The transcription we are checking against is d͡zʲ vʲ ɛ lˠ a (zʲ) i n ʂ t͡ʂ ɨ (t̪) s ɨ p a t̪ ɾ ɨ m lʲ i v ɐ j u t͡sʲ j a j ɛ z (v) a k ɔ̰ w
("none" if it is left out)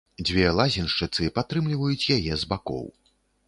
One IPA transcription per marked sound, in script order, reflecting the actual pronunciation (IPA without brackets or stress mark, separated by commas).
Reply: zʲ, t̪, b